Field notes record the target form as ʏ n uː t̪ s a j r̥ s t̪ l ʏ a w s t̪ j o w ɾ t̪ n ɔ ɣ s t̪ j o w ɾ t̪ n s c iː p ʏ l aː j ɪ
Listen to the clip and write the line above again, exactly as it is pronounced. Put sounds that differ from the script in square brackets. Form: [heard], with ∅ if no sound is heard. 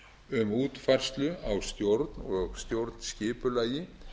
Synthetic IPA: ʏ [m] uː t̪ [f] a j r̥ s t̪ l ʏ a w s t̪ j o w ɾ t̪ n ɔ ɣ s t̪ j o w ɾ t̪ n s c [ɪː] p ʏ l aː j ɪ